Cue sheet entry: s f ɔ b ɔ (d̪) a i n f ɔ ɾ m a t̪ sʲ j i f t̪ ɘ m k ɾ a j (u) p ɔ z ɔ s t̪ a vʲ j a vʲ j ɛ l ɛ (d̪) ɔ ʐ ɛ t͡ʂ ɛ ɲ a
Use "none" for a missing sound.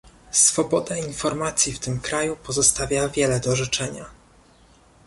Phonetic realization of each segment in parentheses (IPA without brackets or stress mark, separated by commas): d̪, u, d̪